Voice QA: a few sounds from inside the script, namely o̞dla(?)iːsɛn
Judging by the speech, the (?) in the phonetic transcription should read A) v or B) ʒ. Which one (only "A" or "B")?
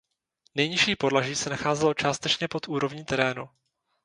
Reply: B